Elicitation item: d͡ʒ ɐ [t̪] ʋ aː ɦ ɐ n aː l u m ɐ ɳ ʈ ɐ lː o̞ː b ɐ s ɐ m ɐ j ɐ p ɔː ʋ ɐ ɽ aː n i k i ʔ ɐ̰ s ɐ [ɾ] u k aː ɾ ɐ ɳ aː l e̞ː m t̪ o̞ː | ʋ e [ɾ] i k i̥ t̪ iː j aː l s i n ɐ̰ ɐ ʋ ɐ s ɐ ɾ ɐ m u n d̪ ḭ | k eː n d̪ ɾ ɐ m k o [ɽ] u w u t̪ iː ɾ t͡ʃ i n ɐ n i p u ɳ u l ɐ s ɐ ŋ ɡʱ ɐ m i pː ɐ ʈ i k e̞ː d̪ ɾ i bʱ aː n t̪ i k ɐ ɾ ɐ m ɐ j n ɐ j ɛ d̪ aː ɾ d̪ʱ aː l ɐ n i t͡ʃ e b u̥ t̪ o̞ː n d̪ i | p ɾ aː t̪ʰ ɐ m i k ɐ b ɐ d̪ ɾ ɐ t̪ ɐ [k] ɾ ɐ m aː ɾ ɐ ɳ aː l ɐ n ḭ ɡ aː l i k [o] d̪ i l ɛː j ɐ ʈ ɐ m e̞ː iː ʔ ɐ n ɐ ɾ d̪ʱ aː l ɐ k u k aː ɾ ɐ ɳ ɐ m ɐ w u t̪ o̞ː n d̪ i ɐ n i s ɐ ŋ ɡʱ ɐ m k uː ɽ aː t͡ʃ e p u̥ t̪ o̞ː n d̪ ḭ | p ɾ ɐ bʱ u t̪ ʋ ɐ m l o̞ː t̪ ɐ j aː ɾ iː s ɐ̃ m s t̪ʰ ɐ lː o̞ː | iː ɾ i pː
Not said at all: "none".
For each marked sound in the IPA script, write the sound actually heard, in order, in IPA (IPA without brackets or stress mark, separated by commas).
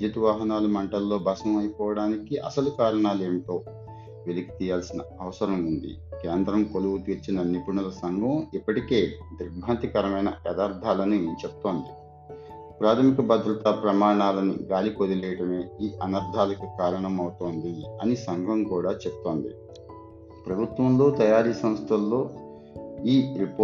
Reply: t̪, l, l, l, p, o